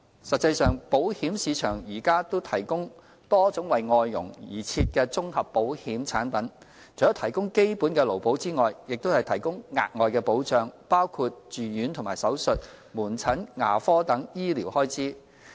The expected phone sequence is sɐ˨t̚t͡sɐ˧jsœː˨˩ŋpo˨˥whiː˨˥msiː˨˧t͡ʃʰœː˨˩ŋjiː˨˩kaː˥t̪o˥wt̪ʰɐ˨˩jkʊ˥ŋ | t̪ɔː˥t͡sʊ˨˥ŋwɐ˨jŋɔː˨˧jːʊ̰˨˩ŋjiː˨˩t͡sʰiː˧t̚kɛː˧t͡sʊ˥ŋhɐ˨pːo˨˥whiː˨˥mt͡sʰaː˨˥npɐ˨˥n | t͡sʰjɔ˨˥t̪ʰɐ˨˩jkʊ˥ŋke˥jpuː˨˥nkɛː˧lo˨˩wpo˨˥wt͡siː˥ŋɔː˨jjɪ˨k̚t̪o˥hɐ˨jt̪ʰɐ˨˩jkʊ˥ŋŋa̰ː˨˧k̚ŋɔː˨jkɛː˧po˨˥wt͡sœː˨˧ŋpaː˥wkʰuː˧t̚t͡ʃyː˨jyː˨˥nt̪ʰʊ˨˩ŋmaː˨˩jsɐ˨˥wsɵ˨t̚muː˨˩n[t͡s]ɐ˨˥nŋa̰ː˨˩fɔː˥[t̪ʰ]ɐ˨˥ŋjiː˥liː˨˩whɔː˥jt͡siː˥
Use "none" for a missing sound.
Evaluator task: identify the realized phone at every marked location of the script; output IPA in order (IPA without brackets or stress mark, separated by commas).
t͡sʰ, t̪